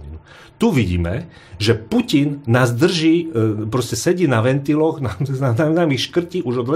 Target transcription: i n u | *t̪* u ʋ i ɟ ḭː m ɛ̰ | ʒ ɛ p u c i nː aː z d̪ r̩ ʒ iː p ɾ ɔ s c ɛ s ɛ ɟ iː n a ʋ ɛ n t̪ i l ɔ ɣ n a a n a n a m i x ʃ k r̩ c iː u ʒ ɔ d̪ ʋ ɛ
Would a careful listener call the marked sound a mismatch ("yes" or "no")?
no